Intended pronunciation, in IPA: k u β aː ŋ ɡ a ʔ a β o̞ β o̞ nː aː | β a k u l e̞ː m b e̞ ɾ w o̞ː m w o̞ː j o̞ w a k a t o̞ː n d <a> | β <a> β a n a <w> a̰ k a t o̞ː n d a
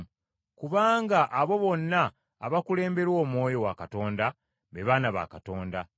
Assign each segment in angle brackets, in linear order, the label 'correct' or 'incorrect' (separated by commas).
correct, incorrect, incorrect